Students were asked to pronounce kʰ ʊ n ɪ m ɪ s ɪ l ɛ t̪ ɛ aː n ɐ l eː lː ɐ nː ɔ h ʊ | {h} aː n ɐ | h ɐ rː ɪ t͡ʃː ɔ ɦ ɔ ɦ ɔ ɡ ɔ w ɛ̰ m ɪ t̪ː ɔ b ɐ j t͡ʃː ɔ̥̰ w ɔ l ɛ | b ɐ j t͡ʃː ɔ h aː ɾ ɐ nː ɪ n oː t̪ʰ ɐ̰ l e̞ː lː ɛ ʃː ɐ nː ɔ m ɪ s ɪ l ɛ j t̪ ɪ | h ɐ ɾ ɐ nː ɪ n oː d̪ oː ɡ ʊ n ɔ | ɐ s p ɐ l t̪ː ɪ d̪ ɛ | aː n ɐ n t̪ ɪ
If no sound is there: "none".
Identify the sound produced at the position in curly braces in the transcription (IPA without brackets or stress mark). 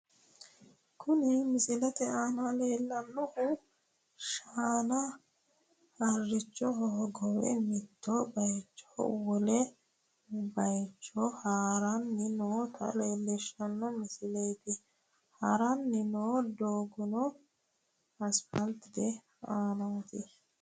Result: ʃ